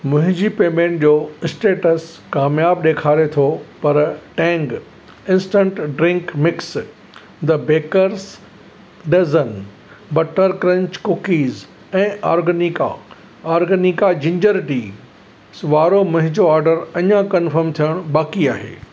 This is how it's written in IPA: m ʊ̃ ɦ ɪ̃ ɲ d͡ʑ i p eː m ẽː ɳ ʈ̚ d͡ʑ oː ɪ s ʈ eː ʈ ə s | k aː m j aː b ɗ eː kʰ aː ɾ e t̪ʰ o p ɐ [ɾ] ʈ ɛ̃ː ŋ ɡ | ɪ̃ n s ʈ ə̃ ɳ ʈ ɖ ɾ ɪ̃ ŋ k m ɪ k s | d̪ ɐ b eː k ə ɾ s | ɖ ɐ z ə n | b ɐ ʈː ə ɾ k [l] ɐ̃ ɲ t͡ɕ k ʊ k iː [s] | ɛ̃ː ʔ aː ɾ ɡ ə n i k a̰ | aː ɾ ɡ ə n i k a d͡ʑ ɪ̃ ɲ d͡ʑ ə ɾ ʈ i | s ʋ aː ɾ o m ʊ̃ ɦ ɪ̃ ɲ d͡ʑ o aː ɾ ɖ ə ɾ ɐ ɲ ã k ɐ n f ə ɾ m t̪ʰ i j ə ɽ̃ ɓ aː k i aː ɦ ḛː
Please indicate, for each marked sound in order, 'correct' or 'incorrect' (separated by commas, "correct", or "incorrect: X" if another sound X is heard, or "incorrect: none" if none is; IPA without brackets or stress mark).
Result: correct, incorrect: ɾ, incorrect: z